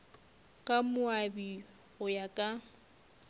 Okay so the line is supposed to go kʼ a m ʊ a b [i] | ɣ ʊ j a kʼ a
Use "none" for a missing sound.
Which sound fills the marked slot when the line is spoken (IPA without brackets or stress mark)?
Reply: i